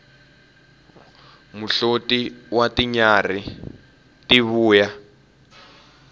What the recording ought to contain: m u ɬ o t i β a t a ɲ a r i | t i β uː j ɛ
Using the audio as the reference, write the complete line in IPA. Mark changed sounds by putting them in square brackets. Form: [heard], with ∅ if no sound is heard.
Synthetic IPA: m u ɬ o t i [w] a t [i] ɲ a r i | t i β uː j [a]